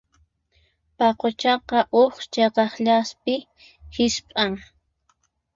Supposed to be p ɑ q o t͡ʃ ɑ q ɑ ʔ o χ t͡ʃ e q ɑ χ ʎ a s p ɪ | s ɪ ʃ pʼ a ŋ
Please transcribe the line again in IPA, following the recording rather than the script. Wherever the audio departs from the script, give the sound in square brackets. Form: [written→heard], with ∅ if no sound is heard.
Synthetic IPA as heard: p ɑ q o t͡ʃ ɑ q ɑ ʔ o χ t͡ʃ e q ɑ χ ʎ a s p ɪ | [s→h] ɪ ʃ pʼ a ŋ